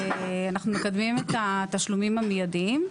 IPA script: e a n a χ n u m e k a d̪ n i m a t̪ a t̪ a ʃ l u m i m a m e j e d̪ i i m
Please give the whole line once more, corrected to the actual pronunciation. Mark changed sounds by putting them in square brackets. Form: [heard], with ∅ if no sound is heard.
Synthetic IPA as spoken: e a n a χ n u m e k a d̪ [m] i m [e] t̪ a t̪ a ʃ l u m i m a m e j [a] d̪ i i m

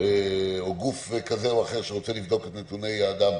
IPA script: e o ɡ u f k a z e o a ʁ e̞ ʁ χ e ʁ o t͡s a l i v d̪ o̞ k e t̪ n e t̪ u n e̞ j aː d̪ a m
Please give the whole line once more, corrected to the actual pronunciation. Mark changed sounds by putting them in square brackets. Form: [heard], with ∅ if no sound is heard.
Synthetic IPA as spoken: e o ɡ u f k a z e o a [χ] e̞ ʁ [ʃ] e ʁ o t͡s [e] l i v d̪ o̞ k e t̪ n e t̪ u n e̞ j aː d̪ a m

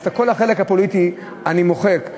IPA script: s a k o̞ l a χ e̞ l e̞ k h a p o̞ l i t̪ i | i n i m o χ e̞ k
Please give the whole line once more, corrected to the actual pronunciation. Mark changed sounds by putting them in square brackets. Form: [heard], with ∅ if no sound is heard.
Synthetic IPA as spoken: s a k o̞ l a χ e̞ l e̞ k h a p o̞ l i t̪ i | [a] n i m o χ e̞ k

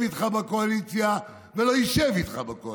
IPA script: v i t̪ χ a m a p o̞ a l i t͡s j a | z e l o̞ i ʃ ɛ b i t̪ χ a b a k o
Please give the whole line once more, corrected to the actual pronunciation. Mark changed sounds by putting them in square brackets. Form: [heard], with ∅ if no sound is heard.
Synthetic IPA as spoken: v i t̪ χ a [b] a [k] o̞ a l i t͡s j a | [v] e l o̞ i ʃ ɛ [v] i t̪ χ a b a k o

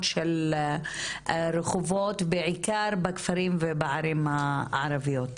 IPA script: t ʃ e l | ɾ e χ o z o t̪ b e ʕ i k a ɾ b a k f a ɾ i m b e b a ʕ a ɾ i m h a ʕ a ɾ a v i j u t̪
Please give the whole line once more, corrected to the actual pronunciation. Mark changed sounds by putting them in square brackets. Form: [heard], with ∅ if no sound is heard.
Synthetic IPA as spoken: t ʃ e l | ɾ e χ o [v] o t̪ b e ʕ i k a ɾ b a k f a ɾ i m [v] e b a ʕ a ɾ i m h a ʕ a ɾ a v i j [o] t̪

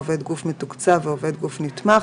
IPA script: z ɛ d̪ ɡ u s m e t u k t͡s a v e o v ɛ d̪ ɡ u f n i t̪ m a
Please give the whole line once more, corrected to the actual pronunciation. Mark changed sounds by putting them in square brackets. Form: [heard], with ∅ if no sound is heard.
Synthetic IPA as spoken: [v] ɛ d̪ ɡ u [f] m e t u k t͡s a v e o v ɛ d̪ ɡ u f n i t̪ m a

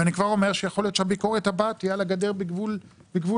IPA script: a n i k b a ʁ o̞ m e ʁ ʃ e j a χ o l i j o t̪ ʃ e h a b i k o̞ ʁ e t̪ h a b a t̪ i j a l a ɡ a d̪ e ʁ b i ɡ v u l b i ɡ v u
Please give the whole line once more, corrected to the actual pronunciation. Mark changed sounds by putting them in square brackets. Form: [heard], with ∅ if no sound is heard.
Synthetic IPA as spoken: a n i k [v] a ʁ o̞ m e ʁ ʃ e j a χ o l i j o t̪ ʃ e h a b i k o̞ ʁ e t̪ h a b a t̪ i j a l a ɡ a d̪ e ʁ b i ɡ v u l b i ɡ v u

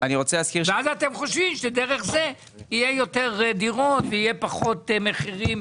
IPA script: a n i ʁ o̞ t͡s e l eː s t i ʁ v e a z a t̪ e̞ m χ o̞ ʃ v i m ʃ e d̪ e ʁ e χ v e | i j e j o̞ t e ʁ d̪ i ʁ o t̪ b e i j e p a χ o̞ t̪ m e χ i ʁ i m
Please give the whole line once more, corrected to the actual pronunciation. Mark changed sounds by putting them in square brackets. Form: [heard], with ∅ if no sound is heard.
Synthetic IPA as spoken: a n i ʁ o̞ t͡s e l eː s [k] i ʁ v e a z a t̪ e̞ m χ o̞ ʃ v i m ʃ e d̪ e ʁ e χ [z] e | i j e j o̞ t e ʁ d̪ i ʁ o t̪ [v] e i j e p a χ o̞ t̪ m e χ i ʁ i m

